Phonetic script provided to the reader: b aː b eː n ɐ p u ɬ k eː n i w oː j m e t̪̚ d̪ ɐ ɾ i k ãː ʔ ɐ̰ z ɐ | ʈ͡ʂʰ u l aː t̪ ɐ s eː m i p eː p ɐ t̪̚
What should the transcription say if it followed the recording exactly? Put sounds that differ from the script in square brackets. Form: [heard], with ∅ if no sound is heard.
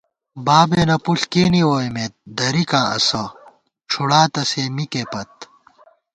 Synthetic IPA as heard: b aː b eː n ɐ p u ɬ k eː n i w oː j m e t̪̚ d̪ ɐ ɾ i k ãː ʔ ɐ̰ [s] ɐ | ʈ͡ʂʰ u [ɽ] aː t̪ ɐ s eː m i [k] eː p ɐ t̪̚

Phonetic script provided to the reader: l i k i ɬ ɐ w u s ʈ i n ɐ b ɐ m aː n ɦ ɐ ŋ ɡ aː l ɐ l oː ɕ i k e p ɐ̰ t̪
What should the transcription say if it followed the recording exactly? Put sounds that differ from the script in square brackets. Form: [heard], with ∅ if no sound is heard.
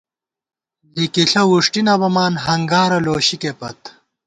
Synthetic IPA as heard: l i k i ɬ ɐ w u [ʂ] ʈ i n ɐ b ɐ m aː n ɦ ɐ ŋ ɡ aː [ɾ] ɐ l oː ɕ i k e p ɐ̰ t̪

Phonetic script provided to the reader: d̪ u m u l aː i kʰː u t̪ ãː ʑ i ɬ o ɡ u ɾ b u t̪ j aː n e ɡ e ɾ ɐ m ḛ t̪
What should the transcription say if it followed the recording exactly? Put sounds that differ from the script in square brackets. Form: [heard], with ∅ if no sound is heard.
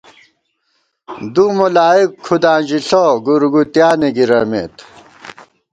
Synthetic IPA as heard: d̪ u m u l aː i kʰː u [d̪] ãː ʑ i ɬ o ɡ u ɾ [ɡ] u t̪ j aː n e ɡ [i] ɾ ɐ m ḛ t̪

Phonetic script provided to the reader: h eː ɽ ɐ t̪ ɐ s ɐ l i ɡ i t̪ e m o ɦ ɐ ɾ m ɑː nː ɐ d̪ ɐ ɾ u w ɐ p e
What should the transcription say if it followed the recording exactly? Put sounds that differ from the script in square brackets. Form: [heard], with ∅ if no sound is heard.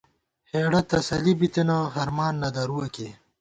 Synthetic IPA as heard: h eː ɽ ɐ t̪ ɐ s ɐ l i [b] i t̪ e [n] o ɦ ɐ ɾ m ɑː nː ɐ d̪ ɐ ɾ u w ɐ [k] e

